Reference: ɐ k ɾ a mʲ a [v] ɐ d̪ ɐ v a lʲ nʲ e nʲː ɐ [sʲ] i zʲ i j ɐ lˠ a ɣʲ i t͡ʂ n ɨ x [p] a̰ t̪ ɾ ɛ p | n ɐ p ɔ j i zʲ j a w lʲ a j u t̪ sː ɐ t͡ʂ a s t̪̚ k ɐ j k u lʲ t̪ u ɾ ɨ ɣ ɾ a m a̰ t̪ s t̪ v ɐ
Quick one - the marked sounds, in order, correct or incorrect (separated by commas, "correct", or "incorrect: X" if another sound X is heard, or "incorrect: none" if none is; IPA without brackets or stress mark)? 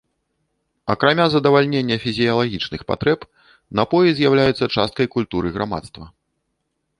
incorrect: z, incorrect: fʲ, correct